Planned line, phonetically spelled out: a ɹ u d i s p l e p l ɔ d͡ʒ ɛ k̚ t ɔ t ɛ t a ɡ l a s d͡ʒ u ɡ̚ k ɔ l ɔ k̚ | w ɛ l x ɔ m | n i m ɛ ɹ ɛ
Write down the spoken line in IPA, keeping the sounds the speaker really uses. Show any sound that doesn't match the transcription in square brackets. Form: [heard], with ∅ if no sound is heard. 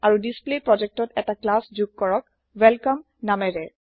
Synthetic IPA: a ɹ u d i s p l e p [ɹ] ɔ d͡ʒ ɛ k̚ t ɔ t ɛ t a [k] l a s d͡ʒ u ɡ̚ k ɔ [ɹ] ɔ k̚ | w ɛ l [k] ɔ m | n [a] m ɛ ɹ ɛ